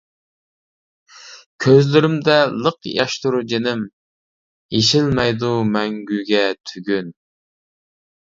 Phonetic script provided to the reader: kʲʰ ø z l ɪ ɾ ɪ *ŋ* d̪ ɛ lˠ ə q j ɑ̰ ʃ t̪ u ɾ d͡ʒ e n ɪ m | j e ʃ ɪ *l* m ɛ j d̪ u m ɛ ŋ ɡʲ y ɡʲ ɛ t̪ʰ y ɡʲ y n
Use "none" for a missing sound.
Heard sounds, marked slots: m, l

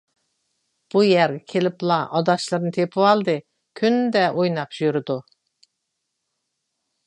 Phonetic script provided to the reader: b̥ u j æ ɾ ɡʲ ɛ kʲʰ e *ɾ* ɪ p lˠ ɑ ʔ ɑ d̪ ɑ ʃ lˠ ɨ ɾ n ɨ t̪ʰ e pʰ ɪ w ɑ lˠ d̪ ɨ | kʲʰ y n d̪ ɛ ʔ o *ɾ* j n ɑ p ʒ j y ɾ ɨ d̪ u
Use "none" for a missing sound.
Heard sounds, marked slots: l, none

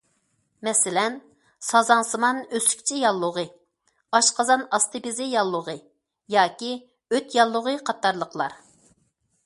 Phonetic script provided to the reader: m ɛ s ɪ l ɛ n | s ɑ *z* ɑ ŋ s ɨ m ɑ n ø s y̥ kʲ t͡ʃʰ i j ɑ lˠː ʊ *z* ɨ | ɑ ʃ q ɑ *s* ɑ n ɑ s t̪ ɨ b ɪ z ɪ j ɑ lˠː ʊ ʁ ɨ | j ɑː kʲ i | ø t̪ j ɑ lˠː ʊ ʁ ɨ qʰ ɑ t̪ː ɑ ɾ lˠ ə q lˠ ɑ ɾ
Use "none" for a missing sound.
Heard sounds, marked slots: z, ʁ, z

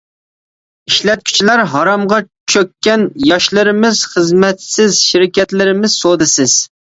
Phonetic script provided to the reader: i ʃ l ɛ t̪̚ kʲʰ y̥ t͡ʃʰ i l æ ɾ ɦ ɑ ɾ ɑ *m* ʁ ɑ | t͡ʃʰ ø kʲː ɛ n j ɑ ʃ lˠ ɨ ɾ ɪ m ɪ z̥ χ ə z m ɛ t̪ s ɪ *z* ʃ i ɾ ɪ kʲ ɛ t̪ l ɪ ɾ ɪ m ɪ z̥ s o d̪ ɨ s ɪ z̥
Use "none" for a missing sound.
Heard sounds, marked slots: m, z

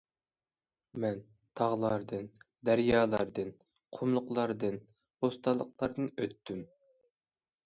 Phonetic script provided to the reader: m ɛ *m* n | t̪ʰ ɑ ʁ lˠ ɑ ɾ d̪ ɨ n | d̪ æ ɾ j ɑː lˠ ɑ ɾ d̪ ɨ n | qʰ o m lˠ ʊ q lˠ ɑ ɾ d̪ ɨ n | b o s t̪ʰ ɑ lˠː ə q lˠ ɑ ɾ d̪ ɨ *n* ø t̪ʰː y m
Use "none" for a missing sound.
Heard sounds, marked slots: none, n

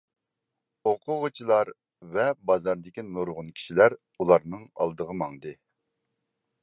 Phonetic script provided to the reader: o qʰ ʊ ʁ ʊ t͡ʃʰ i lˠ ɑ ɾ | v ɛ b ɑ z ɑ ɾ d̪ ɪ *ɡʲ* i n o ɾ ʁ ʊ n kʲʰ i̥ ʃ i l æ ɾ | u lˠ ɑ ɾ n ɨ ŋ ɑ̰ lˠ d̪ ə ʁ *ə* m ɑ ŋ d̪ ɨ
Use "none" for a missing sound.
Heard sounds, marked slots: kʲ, ə

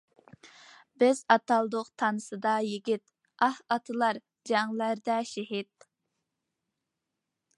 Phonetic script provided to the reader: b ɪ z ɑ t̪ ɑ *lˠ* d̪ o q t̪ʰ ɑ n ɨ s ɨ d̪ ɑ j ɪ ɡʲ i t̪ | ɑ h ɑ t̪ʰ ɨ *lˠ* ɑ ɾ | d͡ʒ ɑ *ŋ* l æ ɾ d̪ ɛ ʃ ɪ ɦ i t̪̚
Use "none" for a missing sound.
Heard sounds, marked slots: lˠ, lˠ, ŋ

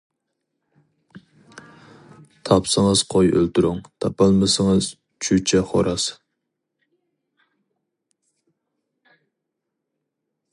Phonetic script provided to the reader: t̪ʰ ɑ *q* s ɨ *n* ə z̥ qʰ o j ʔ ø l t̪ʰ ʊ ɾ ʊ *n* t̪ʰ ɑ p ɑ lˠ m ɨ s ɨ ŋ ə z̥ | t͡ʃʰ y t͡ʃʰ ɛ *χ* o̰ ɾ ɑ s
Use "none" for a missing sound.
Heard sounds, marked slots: p, ŋ, ŋ, χ

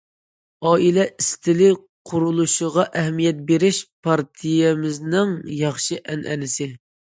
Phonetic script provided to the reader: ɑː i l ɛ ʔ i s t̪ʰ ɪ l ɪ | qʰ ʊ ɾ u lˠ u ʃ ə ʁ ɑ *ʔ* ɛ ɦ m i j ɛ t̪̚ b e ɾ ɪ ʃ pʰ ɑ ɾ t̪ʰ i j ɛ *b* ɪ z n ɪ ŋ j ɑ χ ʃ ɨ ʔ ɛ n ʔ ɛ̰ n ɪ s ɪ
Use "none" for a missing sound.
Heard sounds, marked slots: ʔ, m

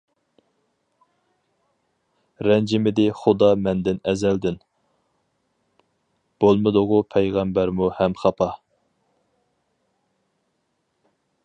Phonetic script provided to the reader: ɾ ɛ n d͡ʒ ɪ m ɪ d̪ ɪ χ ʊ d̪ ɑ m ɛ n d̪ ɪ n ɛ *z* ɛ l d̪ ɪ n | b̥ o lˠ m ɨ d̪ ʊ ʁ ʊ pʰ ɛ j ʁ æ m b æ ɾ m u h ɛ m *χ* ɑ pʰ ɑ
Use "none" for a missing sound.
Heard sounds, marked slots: z, χ

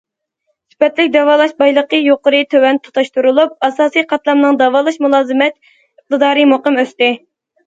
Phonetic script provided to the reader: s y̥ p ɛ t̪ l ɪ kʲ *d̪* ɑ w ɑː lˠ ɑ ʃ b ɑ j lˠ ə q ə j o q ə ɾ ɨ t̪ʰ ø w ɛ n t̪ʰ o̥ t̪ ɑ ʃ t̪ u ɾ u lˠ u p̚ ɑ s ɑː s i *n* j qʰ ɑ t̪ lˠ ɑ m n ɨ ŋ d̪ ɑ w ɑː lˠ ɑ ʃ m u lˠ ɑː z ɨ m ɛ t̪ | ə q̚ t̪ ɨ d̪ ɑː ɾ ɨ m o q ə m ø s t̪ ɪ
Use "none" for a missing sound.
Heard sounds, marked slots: d̪, none

